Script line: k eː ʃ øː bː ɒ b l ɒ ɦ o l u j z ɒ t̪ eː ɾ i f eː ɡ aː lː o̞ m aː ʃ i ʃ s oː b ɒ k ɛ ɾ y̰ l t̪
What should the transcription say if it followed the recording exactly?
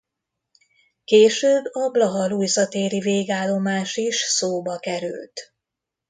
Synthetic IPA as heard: k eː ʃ øː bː ɒ b l ɒ ɦ ɒ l u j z ɒ t̪ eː ɾ i v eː ɡ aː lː o̞ m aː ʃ i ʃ s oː b ɒ k ɛ ɾ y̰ l t̪